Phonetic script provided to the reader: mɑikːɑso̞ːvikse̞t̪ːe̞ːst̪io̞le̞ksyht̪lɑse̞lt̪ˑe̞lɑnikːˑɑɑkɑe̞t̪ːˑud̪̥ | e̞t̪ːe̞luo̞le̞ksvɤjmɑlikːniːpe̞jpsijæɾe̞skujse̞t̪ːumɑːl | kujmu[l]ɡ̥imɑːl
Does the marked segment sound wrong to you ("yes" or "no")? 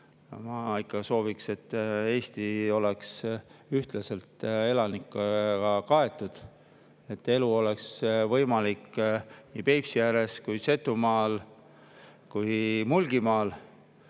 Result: no